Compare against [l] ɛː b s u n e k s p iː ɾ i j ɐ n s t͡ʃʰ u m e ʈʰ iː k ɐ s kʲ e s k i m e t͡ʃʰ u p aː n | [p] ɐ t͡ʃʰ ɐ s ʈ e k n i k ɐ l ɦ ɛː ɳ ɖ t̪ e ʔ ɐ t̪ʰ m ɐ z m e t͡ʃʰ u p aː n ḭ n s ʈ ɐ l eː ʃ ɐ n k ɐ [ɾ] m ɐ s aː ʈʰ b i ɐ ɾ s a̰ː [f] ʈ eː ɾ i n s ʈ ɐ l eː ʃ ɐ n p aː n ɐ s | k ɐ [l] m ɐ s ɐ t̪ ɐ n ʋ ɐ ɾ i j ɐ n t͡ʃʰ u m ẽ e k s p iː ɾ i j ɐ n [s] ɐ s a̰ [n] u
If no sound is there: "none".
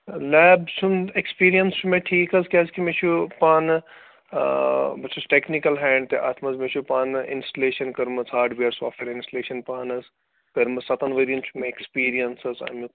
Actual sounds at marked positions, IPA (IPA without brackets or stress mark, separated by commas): l, b, ɾ, f, ɾ, s, m